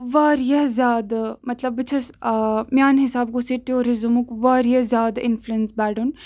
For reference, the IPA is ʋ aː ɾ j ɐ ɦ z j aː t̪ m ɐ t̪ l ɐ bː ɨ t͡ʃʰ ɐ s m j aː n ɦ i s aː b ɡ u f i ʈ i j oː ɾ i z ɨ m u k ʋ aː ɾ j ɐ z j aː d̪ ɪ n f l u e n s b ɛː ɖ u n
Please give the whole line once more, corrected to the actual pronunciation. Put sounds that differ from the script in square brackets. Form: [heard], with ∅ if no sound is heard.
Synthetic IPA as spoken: ʋ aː ɾ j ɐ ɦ z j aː [d̪] m ɐ t̪ l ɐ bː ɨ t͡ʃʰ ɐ s m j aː n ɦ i s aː b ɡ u [s] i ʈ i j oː ɾ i z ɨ m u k ʋ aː ɾ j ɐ z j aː d̪ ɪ n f l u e n s b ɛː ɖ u n